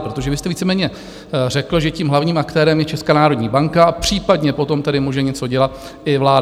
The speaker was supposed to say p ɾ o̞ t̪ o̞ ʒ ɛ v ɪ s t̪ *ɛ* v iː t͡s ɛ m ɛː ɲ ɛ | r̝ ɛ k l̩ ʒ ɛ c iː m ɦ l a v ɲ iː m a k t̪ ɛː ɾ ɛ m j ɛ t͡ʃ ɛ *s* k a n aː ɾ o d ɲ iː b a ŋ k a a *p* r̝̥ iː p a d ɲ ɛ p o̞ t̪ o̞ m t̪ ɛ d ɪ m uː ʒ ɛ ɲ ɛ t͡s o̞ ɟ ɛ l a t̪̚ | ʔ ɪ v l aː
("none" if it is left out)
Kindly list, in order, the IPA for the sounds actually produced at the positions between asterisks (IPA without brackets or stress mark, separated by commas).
ɛ, s, p